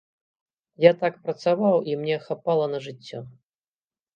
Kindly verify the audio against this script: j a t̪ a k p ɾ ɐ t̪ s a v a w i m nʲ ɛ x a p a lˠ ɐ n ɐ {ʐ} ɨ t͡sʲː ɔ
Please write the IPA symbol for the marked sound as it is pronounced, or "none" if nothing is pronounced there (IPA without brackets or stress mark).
ʐ